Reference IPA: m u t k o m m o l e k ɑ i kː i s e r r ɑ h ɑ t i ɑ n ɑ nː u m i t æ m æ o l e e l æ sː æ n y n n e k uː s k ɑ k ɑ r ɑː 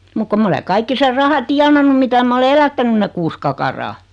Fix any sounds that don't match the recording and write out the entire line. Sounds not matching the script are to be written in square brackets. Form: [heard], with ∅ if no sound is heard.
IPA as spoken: m u [k] k o m m o l e k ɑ i kː i s e r r ɑ h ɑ t i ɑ n ɑ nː u m i t æ m æ o l e e l æ [tː] æ n y n n e k uː s k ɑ k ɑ r ɑː